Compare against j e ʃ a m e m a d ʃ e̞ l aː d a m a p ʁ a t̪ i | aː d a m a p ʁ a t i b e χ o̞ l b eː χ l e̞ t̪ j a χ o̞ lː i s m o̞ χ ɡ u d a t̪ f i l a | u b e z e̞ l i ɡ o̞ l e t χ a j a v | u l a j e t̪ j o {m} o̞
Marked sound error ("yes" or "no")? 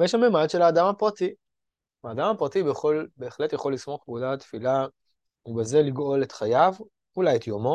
no